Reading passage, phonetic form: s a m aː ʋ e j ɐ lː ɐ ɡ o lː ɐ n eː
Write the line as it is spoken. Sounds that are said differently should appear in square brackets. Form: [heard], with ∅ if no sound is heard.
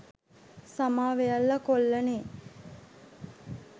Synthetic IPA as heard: s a m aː ʋ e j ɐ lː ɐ [k] o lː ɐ n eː